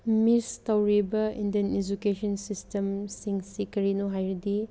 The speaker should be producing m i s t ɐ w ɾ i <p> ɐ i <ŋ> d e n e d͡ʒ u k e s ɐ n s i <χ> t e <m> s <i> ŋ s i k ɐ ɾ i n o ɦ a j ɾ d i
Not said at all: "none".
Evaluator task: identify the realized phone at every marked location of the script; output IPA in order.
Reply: b, n, s, m, i

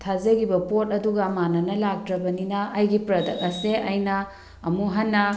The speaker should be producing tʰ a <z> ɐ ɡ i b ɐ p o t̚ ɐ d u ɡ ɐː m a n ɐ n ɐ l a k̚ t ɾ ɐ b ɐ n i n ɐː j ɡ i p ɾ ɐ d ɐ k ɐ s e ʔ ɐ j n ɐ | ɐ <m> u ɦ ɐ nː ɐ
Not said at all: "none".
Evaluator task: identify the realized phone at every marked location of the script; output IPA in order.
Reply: z, m

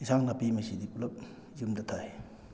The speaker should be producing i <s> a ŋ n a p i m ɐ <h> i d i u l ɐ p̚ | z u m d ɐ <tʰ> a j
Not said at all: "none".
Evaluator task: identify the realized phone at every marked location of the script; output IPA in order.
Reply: s, s, tʰ

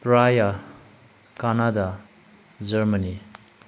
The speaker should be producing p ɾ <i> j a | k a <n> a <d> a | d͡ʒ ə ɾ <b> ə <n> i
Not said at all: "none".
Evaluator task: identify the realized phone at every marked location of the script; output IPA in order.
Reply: a, n, d, m, n

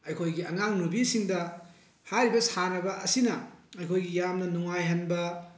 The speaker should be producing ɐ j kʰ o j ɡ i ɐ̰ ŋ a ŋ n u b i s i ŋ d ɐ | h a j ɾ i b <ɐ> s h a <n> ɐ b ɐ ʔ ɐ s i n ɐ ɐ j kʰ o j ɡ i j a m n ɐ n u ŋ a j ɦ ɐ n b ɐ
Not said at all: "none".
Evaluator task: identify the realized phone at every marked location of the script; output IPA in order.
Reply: ɐ, n

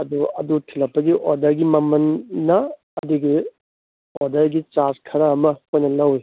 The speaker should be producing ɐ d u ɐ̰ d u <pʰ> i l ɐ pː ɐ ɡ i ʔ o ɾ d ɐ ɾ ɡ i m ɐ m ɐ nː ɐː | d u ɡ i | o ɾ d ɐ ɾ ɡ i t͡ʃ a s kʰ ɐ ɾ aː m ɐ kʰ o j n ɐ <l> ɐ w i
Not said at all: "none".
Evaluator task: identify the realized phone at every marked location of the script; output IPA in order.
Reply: tʰ, l

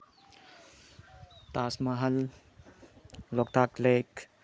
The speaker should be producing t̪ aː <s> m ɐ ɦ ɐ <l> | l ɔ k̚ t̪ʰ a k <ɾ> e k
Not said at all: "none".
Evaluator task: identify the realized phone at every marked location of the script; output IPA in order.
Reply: s, l, l

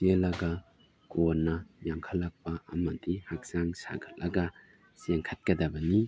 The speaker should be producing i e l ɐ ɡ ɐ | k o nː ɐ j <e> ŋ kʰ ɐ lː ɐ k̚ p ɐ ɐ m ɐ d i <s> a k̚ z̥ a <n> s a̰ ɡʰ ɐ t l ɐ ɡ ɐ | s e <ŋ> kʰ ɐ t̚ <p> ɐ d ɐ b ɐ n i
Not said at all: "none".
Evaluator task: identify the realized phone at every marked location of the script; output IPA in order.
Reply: a, h, ŋ, ŋ, k

